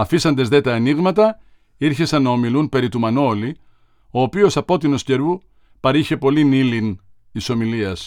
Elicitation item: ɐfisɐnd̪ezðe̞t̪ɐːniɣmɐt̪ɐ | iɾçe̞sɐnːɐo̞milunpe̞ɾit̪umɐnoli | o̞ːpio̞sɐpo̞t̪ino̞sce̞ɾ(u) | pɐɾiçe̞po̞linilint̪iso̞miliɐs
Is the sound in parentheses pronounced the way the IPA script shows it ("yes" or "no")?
yes